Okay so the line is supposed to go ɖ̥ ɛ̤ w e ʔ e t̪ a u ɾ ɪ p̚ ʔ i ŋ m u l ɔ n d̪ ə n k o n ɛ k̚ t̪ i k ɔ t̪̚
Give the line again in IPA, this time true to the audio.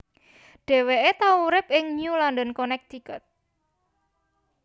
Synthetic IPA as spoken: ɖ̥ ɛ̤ w e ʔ e t̪ a u ɾ ɪ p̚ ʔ ɪ ŋ ɲ u l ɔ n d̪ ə n k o n ɛ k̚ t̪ i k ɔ t̪̚

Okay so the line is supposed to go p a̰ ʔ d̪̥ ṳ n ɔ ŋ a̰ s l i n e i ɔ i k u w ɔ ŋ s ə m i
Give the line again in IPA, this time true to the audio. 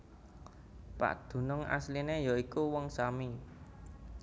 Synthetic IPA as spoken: p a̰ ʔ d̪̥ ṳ n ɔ ŋ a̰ s l i n e j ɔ i k u w ɔ ŋ s a m i

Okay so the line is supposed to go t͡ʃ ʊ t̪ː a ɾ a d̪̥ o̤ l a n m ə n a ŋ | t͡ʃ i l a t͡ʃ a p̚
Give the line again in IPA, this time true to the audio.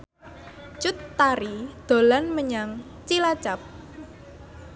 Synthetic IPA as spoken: t͡ʃ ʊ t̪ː a ɾ i d̪̥ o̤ l a n m ə ɲ a ŋ | t͡ʃ i l a t͡ʃ a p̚

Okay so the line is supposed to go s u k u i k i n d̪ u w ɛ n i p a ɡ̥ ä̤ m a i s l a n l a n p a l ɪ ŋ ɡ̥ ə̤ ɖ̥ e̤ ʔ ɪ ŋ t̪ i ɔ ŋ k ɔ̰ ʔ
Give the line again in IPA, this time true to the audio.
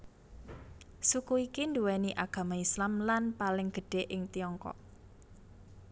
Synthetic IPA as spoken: s u k u i k i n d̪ u w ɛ n i ʔ a ɡ̥ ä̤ m a i s l a m l a n p a l ɪ ŋ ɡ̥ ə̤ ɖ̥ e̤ ʔ ɪ ŋ t̪ i ɔ ŋ k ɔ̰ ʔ

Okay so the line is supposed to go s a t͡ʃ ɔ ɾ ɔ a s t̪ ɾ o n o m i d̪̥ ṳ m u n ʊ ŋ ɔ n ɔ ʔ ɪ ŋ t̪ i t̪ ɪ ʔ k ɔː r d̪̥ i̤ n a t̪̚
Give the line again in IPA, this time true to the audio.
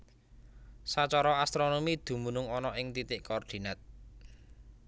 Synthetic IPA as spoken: s a t͡ʃ ɔ ɾ ɔ a s t̪ ɾ o n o m i d̪̥ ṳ m u n ʊ ŋ ɔ n ɔ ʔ ɪ ŋ t̪ i t̪ ɪ ʔ k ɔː r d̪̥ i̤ n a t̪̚

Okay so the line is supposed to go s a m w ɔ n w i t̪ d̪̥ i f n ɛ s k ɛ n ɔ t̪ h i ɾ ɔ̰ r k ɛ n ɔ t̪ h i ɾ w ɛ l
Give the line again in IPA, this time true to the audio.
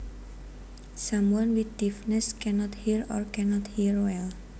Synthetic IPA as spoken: s a m w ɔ n w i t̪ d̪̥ i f n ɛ s k ɛ n ɔ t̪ h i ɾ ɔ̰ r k ɛ n ɔ t̪ h i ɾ w ɛ l

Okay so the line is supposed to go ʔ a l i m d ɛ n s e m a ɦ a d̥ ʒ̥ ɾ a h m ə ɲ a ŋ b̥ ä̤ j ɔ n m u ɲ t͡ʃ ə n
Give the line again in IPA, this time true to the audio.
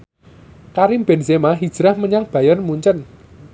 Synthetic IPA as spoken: k a ɾ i m b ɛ n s e m a ɦ i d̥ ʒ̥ ɾ a h m ə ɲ a ŋ b̥ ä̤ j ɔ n m u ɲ t͡ʃ ə n

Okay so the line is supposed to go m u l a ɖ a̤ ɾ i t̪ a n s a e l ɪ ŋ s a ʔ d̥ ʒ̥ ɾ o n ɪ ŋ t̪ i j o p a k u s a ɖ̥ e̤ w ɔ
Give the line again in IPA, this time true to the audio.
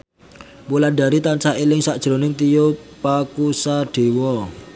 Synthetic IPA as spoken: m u l a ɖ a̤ ɾ i t̪ a n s a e l ɪ ŋ s a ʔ d̥ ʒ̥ ɾ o n ɪ ŋ t̪ i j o p a k u s a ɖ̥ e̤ w ɔ

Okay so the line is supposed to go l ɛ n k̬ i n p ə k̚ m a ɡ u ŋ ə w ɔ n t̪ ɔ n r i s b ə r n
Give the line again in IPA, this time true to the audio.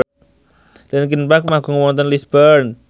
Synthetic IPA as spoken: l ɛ n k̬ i n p a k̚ m a ɡ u ŋ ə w ɔ n t̪ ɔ n l i s b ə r n

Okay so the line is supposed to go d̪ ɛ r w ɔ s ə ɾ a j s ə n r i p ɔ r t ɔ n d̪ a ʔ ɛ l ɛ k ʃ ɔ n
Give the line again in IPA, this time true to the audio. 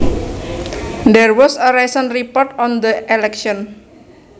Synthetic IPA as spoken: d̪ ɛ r w ɔ s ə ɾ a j s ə n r i p ɔ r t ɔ n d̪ ə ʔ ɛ l ɛ k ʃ ɔ n

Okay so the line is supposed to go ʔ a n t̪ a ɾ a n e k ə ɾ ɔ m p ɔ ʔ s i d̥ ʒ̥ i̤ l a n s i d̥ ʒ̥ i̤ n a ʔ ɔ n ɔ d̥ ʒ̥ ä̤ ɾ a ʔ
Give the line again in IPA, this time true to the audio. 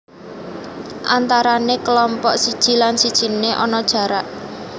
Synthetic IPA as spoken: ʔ a n t̪ a ɾ a n e k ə l ɔ m p ɔ ʔ s i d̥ ʒ̥ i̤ l a n s i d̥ ʒ̥ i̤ n e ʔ ɔ n ɔ d̥ ʒ̥ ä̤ ɾ a ʔ

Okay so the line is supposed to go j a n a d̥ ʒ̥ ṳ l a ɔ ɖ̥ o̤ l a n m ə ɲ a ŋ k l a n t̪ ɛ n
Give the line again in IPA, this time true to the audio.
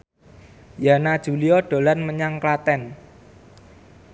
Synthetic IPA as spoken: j a n a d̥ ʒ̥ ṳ l i ɔ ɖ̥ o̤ l a n m ə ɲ a ŋ k l a t̪ ɛ n

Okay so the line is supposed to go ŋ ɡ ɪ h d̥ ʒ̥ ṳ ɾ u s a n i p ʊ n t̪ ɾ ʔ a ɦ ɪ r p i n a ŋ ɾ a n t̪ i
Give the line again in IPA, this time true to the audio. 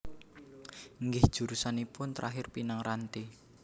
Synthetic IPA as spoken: ŋ ɡ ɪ h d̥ ʒ̥ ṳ ɾ u s a n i p ʊ n t̪ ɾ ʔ a ɦ ɪ r p i n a ŋ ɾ a n t̪ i

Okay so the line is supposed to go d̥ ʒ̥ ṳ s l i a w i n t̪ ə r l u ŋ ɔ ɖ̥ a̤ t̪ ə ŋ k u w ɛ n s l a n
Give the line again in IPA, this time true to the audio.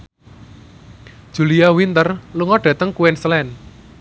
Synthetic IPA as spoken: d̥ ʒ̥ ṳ l i a w i n t̪ ə r l u ŋ ɔ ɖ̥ a̤ t̪ ə ŋ k u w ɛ n s l ɛ n

